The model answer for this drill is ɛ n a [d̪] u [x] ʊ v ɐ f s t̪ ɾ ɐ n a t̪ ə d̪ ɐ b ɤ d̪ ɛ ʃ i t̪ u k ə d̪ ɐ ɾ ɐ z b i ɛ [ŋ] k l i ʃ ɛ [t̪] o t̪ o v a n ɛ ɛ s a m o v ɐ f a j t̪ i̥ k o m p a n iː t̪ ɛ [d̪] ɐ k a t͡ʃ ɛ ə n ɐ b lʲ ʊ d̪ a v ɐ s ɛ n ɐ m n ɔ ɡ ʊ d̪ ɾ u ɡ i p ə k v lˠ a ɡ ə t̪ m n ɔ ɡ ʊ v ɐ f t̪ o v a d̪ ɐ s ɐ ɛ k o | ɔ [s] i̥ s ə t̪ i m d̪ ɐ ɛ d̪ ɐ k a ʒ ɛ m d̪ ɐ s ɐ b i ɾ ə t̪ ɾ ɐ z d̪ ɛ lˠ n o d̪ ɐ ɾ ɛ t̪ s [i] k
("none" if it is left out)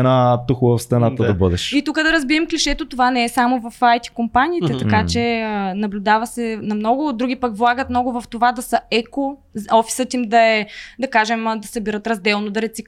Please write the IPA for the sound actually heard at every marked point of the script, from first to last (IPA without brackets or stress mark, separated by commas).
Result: t̪, x, m, t̪, t̪, f, i